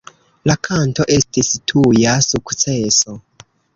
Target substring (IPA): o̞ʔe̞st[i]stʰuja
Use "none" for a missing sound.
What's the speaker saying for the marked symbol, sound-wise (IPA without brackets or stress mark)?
i